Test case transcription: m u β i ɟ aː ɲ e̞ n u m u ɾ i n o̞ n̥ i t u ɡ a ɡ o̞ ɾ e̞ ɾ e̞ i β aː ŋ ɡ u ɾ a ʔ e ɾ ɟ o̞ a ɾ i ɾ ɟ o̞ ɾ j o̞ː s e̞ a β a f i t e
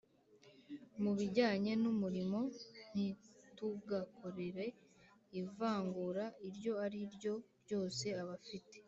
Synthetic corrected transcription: m u β i ɟ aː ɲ e̞ n u m u ɾ i m o̞ n̥ i t u ɡ a k o̞ ɾ e̞ ɾ e̞ i v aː ŋ ɡ u ɾ a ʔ i ɾ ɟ o̞ a ɾ i ɾ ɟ o̞ ɾ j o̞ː s e̞ a β a f i t e

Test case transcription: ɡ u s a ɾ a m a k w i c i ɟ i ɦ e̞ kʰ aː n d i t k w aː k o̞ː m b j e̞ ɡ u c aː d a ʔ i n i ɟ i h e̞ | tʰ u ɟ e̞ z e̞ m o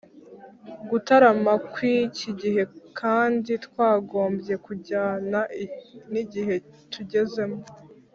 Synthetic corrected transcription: ɡ u t a ɾ a m a k w i c i ɟ i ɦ e̞ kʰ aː n d i t k w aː ɡ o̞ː m b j e̞ k u ɟ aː n a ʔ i n i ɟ i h e̞ | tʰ u ɟ e̞ z e̞ m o

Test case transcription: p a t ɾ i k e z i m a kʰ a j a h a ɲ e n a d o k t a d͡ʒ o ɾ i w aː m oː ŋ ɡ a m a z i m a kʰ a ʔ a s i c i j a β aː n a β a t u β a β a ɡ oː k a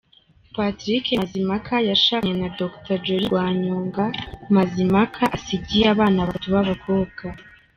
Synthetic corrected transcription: p a t ɾ i k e z i m a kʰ a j a ʃ a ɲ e n a d o k t a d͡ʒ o ɾ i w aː ɲ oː ŋ ɡ a m a z i m a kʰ a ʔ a s i ɟ i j a β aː n a β a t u β a β a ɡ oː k a

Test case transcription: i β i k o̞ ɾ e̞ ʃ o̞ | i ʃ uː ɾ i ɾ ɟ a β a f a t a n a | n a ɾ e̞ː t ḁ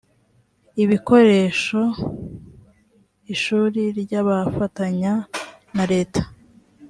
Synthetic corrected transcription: i β i k o̞ ɾ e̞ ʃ o̞ | i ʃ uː ɾ i ɾ ɟ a β a f a t a ɲ a | n a ɾ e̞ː t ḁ

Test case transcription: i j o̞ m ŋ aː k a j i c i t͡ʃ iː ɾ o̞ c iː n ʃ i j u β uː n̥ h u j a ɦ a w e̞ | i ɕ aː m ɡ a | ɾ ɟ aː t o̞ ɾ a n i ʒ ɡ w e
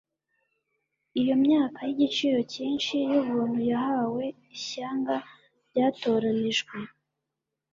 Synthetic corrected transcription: i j o̞ m ɲ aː k a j i ɟ i t͡ʃ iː ɾ o̞ c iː n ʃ i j u β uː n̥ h u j a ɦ a w e̞ | i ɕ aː ŋ ɡ a | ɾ ɟ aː t o̞ ɾ a n i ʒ ɡ w e

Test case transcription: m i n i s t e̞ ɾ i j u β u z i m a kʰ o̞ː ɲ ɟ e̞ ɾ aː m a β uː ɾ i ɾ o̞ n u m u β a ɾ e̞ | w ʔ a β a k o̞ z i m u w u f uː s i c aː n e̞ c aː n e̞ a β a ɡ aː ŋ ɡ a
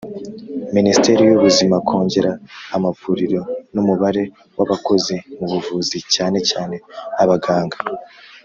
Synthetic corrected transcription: m i n i s t e̞ ɾ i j u β u z i m a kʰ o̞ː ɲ ɟ e̞ ɾ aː m a v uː ɾ i ɾ o̞ n u m u β a ɾ e̞ | w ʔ a β a k o̞ z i m u β u v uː z i c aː n e̞ c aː n e̞ a β a ɡ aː ŋ ɡ a

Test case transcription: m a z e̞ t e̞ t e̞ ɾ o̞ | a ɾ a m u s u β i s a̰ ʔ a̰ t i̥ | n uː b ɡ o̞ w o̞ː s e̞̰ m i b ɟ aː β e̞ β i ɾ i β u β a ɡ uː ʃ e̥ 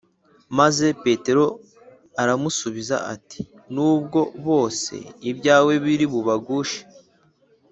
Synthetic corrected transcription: m a z e̞ p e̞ t e̞ ɾ o̞ | a ɾ a m u s u β i z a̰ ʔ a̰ t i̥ | n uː b ɡ o̞ β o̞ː s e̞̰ i b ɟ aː w e̞ β i ɾ i β u β a ɡ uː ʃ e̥

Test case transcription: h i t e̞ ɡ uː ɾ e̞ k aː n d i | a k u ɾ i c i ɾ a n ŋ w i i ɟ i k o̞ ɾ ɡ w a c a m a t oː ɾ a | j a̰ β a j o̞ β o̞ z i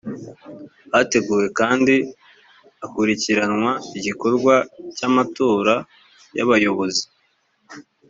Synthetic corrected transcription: h a t e̞ ɡ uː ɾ e̞ k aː n d i | a k u ɾ i c i ɾ a n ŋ w a i ɟ i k o̞ ɾ ɡ w a c a m a t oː ɾ a | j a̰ β a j o̞ β o̞ z i

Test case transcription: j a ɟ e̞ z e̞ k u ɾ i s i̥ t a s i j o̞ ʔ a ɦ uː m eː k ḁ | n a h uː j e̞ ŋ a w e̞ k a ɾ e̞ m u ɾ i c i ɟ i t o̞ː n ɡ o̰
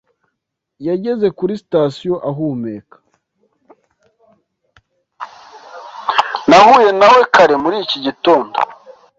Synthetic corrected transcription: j a ɟ e̞ z e̞ k u ɾ i s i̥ t a s i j o̞ ʔ a ɦ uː m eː k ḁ | n a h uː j e̞ n a w e̞ k a ɾ e̞ m u ɾ i c i ɟ i t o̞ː n d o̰

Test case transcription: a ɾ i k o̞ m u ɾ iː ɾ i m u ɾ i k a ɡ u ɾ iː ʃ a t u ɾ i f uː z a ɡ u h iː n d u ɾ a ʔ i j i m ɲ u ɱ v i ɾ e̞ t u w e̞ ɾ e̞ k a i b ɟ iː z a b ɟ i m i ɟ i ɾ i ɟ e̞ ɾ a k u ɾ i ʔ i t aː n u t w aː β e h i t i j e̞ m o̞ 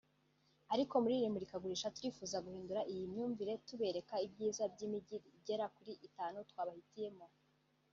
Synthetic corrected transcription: a ɾ i k o̞ m u ɾ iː ɾ i m u ɾ i k a ɡ u ɾ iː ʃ a t u ɾ i f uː z a ɡ u h iː n d u ɾ a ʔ i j i m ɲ uː ɱ v i ɾ e̞ t u β e̞ ɾ e̞ k a i b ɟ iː z a b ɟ i m i ɟ i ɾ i ɟ e̞ ɾ a k u ɾ i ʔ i t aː n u t w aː β a h i t i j e̞ m o̞

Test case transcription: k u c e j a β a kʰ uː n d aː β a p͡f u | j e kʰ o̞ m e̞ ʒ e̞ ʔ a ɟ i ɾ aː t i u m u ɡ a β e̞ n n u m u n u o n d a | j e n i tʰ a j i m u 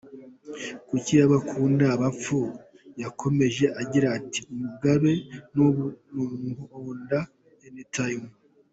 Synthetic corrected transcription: k u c i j a β a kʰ uː n d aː β a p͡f u | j a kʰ o̞ m e̞ ʒ e̞ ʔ a ɟ i ɾ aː t i u m u ɡ a β e̞ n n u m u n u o n d a | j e n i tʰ a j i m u

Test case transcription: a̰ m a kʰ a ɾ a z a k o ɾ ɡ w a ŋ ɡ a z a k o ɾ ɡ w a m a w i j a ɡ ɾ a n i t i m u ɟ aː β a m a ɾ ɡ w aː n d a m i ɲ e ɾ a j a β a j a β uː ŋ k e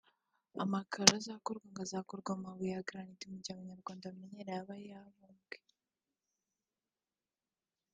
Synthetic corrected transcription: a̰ m a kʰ a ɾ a z a k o ɾ ɡ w a ŋ ɡ a z a k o ɾ ɡ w a m a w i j a ɡ ɾ a n i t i m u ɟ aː β a ɲ a ɾ ɡ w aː n d a m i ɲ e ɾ a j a β a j a β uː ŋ ɡ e

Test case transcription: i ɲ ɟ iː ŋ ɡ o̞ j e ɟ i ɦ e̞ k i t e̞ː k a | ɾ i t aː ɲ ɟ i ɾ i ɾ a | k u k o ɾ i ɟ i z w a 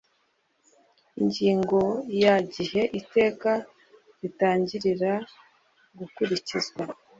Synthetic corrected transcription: i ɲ ɟ iː ŋ ɡ o̞ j a ɟ i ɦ e̞ ʔ i t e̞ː k a | ɾ i t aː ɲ ɟ i ɾ i ɾ a | ɡ u k u ɾ i c i z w a

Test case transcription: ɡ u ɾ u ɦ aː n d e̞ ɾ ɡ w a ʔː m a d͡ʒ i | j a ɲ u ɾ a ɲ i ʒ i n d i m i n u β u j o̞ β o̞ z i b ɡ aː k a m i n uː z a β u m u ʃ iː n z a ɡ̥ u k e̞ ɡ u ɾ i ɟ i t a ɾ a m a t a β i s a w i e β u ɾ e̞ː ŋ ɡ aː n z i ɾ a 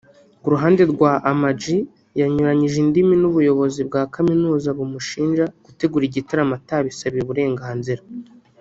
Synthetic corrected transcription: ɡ u ɾ u ɦ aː n d e̞ ɾ ɡ w a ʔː m a d͡ʒ i | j a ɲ u ɾ a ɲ i ʒ i n d i m i n u β u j o̞ β o̞ z i b ɡ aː k a m i n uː z a β u m u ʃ iː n ʒ a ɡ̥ u t e̞ ɡ u ɾ i ɟ i t a ɾ a m a t a β i s a β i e β u ɾ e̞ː ŋ ɡ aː n z i ɾ a

